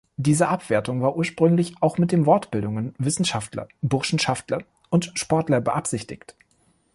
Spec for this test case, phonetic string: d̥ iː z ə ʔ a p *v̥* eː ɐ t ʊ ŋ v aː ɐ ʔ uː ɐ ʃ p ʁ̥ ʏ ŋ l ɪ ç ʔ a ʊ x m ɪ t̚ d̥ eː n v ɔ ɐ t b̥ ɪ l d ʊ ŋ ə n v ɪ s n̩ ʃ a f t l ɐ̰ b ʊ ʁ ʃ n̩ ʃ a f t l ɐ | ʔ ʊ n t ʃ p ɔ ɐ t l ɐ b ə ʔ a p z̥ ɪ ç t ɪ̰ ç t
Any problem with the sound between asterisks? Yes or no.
no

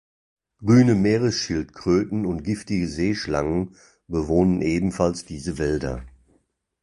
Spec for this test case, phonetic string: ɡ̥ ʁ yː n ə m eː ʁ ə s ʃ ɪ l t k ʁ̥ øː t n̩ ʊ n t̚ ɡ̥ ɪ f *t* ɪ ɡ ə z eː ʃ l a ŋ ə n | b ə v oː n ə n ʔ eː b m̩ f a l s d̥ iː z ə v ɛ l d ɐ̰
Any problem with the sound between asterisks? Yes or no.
no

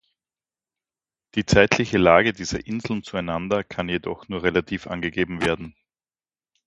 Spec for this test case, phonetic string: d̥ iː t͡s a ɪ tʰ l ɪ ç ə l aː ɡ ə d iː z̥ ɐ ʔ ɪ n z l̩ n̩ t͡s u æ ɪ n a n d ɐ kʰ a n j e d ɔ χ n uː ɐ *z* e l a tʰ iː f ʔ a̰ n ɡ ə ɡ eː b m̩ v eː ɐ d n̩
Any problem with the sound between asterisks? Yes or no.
yes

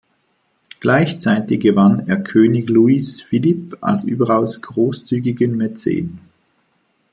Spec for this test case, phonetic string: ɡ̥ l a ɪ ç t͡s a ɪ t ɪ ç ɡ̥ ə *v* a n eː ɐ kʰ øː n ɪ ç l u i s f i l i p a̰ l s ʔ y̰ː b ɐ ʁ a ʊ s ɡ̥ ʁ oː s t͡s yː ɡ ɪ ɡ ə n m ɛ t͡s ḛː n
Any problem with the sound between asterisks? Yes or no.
no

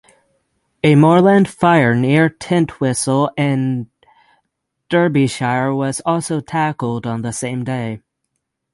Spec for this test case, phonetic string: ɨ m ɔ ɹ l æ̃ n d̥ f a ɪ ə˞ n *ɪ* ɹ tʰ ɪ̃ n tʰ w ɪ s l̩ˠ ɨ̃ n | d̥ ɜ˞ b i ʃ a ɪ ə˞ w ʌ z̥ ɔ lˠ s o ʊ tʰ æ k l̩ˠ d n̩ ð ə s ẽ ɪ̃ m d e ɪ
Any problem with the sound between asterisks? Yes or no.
no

